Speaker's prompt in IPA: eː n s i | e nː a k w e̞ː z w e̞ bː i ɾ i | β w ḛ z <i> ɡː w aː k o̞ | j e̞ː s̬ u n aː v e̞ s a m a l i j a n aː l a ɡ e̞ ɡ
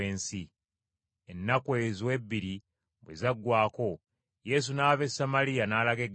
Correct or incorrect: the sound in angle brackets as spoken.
incorrect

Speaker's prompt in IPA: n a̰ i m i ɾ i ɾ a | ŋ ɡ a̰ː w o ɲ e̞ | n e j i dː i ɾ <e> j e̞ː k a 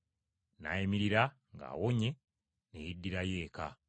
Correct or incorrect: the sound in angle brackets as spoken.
incorrect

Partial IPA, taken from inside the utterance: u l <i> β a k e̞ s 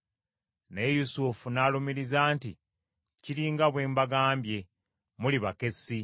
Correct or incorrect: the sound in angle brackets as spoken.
correct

